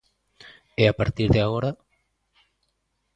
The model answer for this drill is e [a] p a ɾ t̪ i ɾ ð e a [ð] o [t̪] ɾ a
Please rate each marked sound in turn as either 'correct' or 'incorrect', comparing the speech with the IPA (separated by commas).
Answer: correct, incorrect, incorrect